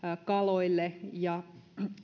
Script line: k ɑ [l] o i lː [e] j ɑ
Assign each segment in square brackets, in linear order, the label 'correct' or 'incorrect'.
correct, correct

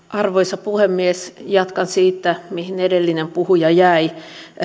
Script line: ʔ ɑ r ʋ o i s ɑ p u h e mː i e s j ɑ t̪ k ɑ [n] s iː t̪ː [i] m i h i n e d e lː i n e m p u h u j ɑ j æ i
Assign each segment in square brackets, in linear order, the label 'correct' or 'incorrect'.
correct, incorrect

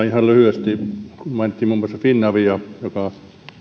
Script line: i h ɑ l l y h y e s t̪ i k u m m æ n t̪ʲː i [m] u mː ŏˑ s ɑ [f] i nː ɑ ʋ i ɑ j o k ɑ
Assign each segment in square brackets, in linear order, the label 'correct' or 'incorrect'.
correct, correct

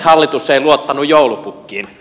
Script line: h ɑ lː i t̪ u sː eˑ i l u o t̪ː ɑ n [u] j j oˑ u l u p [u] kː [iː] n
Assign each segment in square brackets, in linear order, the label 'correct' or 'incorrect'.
correct, correct, correct

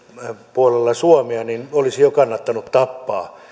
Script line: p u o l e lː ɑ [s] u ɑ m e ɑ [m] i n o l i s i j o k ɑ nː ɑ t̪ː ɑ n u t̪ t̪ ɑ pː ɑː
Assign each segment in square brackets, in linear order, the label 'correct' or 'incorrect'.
correct, incorrect

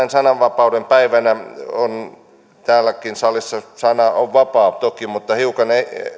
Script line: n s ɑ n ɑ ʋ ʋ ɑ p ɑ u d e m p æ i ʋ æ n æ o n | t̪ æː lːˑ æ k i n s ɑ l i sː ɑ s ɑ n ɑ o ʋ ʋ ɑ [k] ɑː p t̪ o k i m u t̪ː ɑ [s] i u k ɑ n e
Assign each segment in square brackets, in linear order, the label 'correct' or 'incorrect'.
incorrect, incorrect

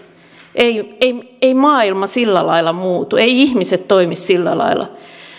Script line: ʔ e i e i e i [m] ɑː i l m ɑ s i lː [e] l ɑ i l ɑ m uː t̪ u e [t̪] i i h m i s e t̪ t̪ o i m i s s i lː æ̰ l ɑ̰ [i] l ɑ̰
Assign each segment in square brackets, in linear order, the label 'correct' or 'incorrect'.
correct, incorrect, incorrect, correct

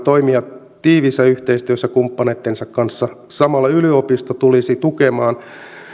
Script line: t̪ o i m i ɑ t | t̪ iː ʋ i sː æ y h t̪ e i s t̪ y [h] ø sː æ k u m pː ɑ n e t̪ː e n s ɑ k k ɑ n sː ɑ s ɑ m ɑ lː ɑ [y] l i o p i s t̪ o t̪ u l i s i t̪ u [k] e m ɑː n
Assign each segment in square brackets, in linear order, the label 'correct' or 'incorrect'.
incorrect, correct, correct

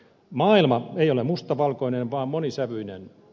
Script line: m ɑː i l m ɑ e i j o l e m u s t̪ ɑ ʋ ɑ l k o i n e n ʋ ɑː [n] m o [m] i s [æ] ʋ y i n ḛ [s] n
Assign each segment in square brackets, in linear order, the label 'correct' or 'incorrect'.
incorrect, incorrect, correct, incorrect

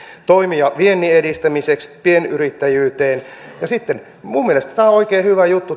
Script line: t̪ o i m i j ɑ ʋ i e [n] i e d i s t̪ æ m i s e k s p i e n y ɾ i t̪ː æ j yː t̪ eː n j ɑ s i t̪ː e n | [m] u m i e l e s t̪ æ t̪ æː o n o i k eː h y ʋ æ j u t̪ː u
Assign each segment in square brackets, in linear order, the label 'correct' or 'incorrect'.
incorrect, correct

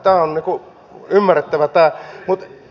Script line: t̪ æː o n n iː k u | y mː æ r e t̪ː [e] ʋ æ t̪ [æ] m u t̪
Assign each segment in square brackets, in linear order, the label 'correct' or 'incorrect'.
incorrect, incorrect

